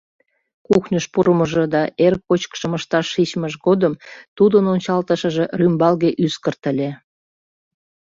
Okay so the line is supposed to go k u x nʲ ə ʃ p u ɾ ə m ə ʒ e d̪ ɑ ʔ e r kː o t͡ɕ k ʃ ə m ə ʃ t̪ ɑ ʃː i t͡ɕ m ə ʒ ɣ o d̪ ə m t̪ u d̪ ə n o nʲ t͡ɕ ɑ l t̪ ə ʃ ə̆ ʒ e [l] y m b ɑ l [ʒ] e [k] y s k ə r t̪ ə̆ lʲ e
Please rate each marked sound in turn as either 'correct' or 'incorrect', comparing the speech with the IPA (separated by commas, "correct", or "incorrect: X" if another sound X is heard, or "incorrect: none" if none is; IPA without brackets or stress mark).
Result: incorrect: r, incorrect: ɣ, incorrect: ʔ